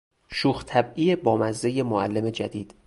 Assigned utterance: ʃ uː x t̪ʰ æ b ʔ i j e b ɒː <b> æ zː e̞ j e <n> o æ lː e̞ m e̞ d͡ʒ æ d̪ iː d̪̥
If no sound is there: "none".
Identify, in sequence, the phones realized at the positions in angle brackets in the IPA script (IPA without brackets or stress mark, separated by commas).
m, m